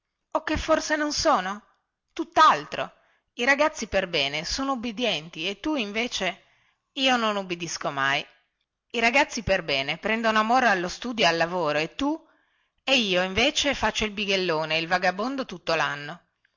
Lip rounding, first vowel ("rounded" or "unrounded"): rounded